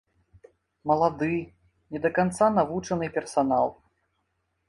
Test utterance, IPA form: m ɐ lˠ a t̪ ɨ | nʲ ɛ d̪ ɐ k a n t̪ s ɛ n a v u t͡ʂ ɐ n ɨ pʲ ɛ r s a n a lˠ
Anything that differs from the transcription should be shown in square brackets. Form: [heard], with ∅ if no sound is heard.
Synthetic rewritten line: m ɐ lˠ a [d̪] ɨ | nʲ ɛ d̪ ɐ k a n t̪ s [a] n a v u t͡ʂ ɐ n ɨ pʲ ɛ r s a n a lˠ